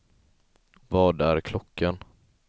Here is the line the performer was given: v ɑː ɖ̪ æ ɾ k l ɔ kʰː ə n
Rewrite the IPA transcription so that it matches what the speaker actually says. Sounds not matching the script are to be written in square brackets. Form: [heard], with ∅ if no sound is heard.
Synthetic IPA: v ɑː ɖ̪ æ ɾ [kʰ] l ɔ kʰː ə n